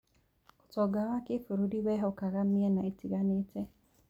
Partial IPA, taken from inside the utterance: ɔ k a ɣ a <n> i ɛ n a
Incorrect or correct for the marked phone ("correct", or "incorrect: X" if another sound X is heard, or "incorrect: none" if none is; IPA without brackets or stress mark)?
incorrect: m